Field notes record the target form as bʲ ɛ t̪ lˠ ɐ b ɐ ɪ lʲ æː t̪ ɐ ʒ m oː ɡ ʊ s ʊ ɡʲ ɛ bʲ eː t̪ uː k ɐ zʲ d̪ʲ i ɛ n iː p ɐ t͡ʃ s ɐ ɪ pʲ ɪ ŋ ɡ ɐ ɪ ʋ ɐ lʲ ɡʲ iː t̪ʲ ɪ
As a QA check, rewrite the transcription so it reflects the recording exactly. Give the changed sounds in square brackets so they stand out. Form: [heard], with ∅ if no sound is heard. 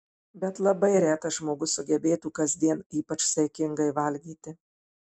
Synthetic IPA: bʲ ɛ t̪ lˠ ɐ b ɐ ɪ [ɾʲ] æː t̪ ɐ ʒ m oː ɡ ʊ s ʊ ɡʲ ɛ bʲ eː t̪ uː k ɐ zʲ d̪ʲ i ɛ n iː p ɐ t͡ʃ s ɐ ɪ [kʲ] ɪ ŋ ɡ ɐ ɪ ʋ ɐ lʲ ɡʲ iː t̪ʲ ɪ